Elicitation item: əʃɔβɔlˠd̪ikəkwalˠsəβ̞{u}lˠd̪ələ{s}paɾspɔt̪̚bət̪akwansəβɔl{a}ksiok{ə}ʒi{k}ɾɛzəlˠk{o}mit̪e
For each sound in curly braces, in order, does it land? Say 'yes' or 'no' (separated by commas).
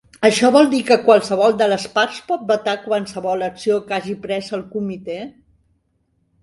no, yes, no, no, no, no